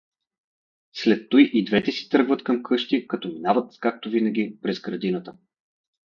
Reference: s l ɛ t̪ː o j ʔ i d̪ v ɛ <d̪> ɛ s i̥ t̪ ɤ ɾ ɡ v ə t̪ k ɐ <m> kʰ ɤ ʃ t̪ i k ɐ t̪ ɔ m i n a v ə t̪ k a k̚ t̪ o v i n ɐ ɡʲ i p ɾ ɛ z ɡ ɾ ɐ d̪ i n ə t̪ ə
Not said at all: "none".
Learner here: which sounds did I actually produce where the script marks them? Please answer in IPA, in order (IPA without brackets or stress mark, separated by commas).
t̪, m